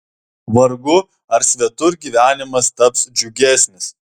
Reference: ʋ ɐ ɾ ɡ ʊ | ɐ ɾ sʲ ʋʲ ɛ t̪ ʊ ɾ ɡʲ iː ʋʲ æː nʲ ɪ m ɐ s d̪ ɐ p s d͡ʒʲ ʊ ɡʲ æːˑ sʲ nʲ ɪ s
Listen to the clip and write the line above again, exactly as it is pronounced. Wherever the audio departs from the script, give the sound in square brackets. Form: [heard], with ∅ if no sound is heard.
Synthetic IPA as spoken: ʋ ɐ ɾ ɡ ʊ | ɐ ɾ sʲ ʋʲ ɛ t̪ ʊ ɾ ɡʲ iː ʋʲ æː nʲ ɪ m ɐ s [t̪] ɐ p s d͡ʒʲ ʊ ɡʲ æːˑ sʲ nʲ ɪ s